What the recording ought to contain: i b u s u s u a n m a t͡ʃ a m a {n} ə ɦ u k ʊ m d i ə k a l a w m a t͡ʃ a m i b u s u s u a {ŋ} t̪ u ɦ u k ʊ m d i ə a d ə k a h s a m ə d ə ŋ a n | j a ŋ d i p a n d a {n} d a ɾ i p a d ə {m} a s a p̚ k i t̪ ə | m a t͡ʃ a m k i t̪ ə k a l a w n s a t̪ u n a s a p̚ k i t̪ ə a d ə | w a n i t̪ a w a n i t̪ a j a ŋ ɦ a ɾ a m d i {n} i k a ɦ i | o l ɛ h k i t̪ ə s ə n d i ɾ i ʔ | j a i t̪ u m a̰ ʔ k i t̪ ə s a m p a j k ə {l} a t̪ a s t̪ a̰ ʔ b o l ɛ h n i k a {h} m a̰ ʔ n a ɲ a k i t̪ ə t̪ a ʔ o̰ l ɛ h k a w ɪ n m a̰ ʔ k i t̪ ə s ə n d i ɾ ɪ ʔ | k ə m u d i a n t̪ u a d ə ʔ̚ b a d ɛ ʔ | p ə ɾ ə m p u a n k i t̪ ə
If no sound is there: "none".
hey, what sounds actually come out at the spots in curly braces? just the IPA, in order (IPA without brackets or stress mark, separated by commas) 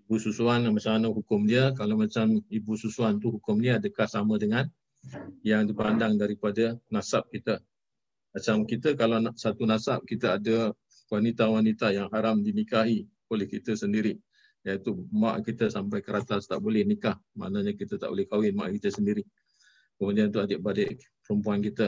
n, n, ŋ, n, n, ɾ, h